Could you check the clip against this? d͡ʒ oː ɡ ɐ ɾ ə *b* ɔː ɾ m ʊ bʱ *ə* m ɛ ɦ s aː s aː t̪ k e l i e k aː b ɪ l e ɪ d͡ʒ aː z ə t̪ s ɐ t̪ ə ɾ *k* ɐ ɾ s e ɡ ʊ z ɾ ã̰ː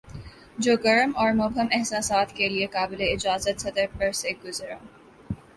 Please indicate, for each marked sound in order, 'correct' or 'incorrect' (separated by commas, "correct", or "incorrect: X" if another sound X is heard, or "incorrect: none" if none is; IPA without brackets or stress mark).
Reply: incorrect: m, correct, incorrect: p